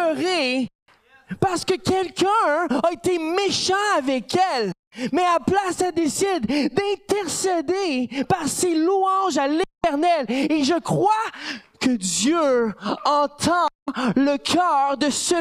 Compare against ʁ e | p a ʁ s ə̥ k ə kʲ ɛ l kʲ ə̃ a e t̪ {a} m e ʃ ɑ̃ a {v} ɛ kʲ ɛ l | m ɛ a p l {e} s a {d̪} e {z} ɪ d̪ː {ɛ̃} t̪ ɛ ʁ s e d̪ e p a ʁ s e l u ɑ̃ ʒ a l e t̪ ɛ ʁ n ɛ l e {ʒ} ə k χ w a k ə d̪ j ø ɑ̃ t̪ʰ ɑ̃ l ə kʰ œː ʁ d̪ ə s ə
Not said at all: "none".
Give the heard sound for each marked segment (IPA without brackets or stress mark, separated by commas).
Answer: e, v, a, d̪, s, ɛ̃, ʒ